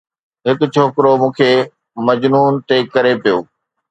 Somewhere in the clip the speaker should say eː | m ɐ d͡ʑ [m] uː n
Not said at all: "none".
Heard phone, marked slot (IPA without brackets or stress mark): n